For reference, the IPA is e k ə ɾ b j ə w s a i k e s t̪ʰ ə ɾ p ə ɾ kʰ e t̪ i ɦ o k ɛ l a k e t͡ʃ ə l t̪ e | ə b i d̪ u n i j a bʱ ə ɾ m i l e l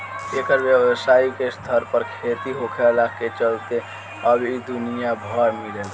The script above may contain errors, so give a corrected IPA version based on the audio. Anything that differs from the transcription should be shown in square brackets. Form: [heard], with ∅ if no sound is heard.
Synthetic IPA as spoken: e k ə ɾ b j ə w s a i k e s t̪ʰ ə ɾ p ə ɾ kʰ e t̪ i ɦ o [kʰ] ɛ l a k e t͡ʃ ə l t̪ e | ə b i d̪ u n i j a bʱ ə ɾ m i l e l